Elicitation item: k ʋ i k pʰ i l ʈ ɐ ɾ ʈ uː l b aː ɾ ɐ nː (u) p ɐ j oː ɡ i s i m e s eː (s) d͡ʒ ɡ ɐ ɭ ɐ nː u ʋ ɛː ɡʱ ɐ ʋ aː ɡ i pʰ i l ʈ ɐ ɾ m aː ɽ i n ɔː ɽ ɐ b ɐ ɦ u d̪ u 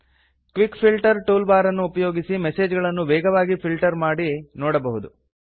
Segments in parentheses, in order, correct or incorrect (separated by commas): incorrect, incorrect